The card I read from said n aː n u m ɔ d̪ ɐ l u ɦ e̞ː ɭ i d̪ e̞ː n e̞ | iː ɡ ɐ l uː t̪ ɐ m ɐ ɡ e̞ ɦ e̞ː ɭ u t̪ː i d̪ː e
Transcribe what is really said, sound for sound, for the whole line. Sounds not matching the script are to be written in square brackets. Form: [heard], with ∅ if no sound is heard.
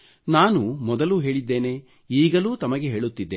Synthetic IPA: n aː n u m ɔ d̪ ɐ l u ɦ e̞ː ɭ i [d̪ː] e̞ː n e̞ | iː ɡ ɐ l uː t̪ ɐ m ɐ ɡ e̞ ɦ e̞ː ɭ u t̪ː i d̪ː e